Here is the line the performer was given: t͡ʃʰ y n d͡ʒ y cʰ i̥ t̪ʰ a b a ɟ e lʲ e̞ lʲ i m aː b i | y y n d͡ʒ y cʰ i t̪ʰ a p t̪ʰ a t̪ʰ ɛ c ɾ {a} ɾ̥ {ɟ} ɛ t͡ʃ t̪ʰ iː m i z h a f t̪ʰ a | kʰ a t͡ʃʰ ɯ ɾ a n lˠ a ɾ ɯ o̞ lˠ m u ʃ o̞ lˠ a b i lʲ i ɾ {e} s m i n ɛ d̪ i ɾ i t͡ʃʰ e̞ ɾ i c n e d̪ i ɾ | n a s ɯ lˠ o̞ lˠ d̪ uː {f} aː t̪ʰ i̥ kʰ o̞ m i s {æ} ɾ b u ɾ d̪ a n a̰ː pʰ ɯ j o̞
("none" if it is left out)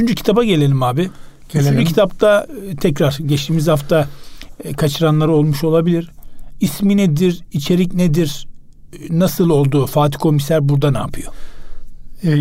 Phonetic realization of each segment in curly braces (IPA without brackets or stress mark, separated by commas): a, ɟ, i, f, æ